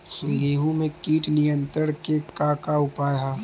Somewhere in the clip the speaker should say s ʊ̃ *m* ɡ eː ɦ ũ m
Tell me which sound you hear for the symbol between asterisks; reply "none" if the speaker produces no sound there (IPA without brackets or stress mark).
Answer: ŋ